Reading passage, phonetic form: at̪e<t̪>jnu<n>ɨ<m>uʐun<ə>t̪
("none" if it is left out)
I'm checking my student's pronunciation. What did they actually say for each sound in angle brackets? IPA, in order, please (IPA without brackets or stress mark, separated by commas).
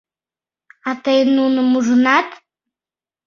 none, n, m, a